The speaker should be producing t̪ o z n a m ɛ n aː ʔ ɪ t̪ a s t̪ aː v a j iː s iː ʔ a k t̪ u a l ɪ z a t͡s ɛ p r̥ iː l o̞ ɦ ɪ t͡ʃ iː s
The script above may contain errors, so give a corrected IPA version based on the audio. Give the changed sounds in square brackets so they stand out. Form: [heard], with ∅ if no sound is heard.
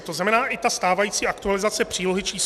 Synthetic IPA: t̪ o z n a m ɛ n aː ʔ ɪ t̪ a s t̪ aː v a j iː [t͡s] iː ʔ a k t̪ u a l ɪ z a t͡s ɛ p r̥ iː l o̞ ɦ ɪ t͡ʃ iː s